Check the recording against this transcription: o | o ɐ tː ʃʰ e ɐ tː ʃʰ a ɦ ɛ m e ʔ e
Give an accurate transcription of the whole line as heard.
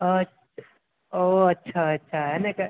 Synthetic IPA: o | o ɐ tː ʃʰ a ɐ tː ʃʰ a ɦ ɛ n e k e